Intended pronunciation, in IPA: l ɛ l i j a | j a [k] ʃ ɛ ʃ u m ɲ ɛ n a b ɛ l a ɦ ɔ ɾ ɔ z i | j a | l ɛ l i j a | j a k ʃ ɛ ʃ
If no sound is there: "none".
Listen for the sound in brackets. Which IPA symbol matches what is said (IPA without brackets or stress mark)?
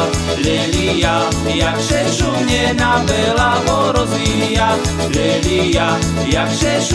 k